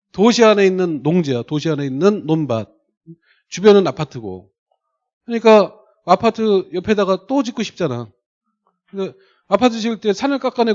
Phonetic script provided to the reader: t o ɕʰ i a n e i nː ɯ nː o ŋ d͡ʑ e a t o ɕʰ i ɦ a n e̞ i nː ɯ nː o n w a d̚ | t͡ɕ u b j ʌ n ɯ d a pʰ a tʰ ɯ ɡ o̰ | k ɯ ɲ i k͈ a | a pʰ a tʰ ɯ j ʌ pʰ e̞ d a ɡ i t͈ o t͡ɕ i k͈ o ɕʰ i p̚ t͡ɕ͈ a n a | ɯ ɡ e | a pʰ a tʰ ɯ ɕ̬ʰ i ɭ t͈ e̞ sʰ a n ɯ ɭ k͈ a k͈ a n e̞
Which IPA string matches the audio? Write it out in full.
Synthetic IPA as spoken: t o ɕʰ i a n e i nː ɯ nː o ŋ d͡ʑ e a t o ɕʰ i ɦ a n e̞ i nː ɯ nː o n b a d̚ | t͡ɕ u b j ʌ n ɯ n a pʰ a tʰ ɯ ɡ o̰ | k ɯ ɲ i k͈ a | a pʰ a tʰ ɯ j ʌ pʰ e̞ d a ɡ a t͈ o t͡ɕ i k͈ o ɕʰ i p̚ t͡ɕ͈ a n a | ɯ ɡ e | a pʰ a tʰ ɯ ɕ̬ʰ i ɭ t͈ e̞ sʰ a n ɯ ɭ k͈ a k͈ a n e̞

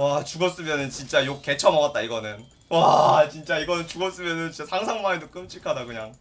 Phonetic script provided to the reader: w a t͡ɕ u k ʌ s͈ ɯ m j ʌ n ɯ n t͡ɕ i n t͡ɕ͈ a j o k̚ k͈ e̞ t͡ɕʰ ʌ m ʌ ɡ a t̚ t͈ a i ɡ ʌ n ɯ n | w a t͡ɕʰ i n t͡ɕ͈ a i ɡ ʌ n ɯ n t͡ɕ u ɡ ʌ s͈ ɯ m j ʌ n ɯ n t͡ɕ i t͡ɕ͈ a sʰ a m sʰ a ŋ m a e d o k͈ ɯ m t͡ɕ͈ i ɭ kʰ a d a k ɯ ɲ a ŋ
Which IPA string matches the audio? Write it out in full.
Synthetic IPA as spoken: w a t͡ɕ u ɡ ʌ s͈ ɯ m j ʌ n ɯ n t͡ɕ i n t͡ɕ͈ a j o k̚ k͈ e̞ t͡ɕʰ ʌ m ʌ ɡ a t̚ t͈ a i ɡ ʌ n ɯ n | w a t͡ɕ i n t͡ɕ͈ a i ɡ ʌ n ɯ n t͡ɕ u ɡ ʌ s͈ ɯ m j ʌ n ɯ n t͡ɕ i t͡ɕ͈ a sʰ a ŋ sʰ a ŋ m a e d o k͈ ɯ m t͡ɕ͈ i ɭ kʰ a d a k ɯ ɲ a ŋ

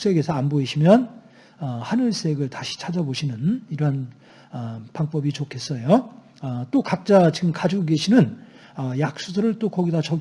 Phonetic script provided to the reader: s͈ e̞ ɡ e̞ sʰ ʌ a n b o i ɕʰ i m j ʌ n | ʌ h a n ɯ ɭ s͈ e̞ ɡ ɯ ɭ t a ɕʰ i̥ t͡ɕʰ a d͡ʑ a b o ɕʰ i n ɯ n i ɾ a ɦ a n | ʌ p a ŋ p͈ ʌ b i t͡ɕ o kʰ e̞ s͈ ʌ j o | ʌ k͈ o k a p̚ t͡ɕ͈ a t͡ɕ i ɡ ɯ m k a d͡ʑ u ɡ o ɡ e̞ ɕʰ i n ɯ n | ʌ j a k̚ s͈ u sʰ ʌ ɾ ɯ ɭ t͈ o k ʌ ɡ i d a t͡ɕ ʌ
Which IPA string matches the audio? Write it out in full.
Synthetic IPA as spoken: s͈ e̞ ɡ e̞ sʰ ʌ a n b o i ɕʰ i m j ʌ n | ʌ h a n ɯ ɭ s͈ e̞ ɡ ɯ ɭ t a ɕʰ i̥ t͡ɕʰ a d͡ʑ a b o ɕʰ i n ɯ n i ɾ ʌ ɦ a n | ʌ p a ŋ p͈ ʌ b i t͡ɕ o kʰ e̞ s͈ ʌ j o | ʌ t͈ o k a k̚ t͡ɕ͈ a t͡ɕ i ɡ ɯ m k a d͡ʑ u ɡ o ɡ e̞ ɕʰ i n ɯ n | ʌ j a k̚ s͈ u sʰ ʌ ɾ ɯ ɭ t͈ o k ʌ ɡ i d a t͡ɕ ʌ

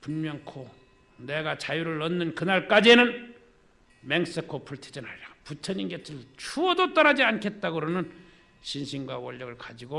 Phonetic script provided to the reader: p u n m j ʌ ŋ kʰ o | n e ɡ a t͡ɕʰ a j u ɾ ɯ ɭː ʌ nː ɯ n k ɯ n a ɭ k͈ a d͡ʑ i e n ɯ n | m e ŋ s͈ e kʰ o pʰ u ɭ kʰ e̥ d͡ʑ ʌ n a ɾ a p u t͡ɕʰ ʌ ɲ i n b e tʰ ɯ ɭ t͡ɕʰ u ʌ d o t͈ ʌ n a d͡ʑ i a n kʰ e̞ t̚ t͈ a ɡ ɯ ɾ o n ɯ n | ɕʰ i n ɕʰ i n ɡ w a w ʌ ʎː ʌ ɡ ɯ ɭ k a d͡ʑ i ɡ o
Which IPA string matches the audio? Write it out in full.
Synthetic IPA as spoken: p u n m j ʌ ŋ kʰ o | n e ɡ a t͡ɕ a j u ɾ ɯ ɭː ʌ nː ɯ n k ɯ n a ɭ k͈ a d͡ʑ i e n ɯ n | m e ŋ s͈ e kʰ o pʰ u ɭ tʰ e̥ d͡ʑ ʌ n a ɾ a p u t͡ɕʰ ʌ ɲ i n ɡ e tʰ ɯ ɭ t͡ɕʰ u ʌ d o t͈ ʌ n a d͡ʑ i a n kʰ e̞ t̚ t͈ a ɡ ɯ ɾ o n ɯ n | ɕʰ i n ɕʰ i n ɡ w a w ʌ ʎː ʌ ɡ ɯ ɭ k a d͡ʑ i ɡ o

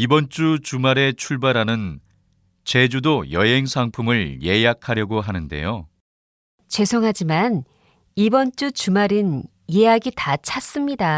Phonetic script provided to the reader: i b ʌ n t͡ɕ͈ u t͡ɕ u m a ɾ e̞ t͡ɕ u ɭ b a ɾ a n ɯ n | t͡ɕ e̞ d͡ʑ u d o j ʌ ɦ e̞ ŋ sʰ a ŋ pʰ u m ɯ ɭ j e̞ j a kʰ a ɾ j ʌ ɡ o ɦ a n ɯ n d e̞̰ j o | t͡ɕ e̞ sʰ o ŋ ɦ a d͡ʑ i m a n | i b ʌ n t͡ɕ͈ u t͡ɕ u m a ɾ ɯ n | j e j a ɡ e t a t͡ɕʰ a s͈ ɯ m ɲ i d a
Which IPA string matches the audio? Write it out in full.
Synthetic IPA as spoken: i b ʌ n t͡ɕ͈ u t͡ɕ u m a ɾ e̞ t͡ɕʰ u ɭ b a ɾ a n ɯ n | t͡ɕ e̞ d͡ʑ u d o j ʌ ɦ e̞ ŋ sʰ a ŋ pʰ u m ɯ ɭ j e̞ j a kʰ a ɾ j ʌ ɡ o ɦ a n ɯ n d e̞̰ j o | t͡ɕ e̞ sʰ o ŋ ɦ a d͡ʑ i m a n | i b ʌ n t͡ɕ͈ u t͡ɕ u m a ɾ ɯ n | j e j a ɡ i t a t͡ɕʰ a s͈ ɯ m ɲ i d a

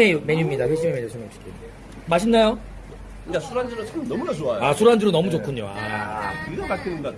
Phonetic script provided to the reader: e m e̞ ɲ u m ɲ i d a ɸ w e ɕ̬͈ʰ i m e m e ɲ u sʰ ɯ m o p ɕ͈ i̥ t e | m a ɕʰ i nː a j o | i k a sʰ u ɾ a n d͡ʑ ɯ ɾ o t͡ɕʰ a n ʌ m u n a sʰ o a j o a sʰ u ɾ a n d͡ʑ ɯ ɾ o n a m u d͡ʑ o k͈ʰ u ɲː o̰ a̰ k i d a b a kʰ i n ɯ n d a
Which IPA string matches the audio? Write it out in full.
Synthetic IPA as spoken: e m e̞ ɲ u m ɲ i d a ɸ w e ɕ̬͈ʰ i m e m e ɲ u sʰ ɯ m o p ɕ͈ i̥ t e | m a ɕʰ i nː a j o | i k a sʰ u ɾ a n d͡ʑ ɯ ɾ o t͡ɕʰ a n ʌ m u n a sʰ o a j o a sʰ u ɾ a n d͡ʑ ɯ ɾ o n ʌ m u d͡ʑ o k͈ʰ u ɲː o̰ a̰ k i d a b a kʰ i n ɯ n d a

